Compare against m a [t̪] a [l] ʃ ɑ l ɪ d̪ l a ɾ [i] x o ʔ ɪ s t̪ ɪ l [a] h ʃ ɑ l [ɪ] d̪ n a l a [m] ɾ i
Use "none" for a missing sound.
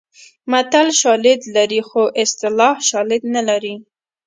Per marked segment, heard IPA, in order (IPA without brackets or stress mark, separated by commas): t̪, l, i, ɑ, ɪ, none